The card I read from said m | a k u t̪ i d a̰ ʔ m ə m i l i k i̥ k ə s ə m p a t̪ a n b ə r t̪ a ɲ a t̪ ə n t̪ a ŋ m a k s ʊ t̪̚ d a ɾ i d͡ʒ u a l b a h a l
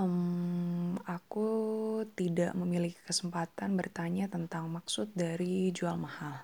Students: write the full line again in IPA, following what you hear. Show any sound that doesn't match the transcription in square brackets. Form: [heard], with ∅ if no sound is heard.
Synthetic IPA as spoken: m | a k u t̪ i d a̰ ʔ m ə m i l i k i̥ k ə s ə m p a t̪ a n b ə r t̪ a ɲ a t̪ ə n t̪ a ŋ m a k s ʊ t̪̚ d a ɾ i d͡ʒ u a l [m] a h a l